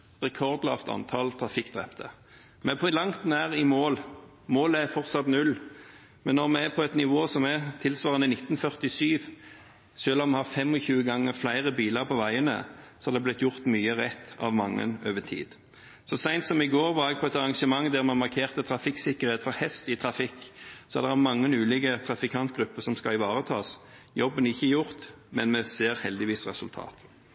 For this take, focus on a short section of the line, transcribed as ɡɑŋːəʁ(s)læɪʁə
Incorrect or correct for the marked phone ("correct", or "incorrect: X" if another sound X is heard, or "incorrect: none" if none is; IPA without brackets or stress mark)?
incorrect: f